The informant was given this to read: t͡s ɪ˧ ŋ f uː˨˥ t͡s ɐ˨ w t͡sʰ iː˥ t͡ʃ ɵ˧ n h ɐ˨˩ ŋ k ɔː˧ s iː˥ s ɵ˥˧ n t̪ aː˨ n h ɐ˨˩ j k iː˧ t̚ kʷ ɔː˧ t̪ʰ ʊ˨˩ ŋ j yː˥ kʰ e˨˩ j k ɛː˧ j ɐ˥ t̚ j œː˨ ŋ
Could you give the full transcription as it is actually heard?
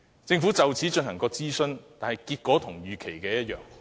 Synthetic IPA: t͡s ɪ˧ ŋ f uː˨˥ t͡s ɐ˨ w t͡sʰ iː˨˥ t͡ʃ ɵ˧ n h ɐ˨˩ ŋ k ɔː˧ t͡s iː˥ s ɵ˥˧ n t̪ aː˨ n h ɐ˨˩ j k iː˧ t̚ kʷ ɔː˨˥ t̪ʰ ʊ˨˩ ŋ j yː˨ kʰ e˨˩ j k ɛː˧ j ɐ˥ t̚ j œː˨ ŋ